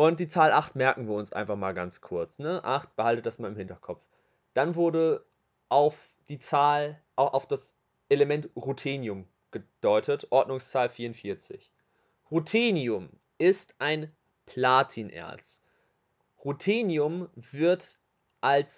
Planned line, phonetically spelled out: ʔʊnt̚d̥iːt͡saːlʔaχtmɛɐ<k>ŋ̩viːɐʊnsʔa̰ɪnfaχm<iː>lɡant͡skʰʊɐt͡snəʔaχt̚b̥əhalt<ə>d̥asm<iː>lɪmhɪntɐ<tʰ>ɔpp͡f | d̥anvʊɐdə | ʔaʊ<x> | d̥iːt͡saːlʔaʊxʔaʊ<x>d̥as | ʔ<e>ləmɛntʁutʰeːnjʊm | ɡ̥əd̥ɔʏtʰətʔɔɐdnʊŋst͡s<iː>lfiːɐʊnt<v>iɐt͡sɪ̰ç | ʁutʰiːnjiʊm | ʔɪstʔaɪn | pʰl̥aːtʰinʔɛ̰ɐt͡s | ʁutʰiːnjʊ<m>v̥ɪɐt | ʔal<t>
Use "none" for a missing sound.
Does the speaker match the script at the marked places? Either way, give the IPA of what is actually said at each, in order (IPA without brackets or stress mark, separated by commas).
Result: k, aː, ə, aː, kʰ, f, f, e, aː, f, m, s